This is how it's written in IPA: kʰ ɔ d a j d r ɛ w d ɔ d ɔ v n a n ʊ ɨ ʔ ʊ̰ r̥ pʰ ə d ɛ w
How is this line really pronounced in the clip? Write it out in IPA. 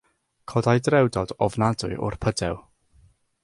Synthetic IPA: kʰ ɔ d a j d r ɛ w d ɔ d ɔ v n a d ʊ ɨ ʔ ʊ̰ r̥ pʰ ə d ɛ w